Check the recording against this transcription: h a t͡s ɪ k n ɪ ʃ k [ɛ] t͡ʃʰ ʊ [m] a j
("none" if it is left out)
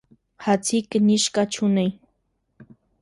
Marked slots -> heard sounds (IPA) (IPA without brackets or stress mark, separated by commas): a, n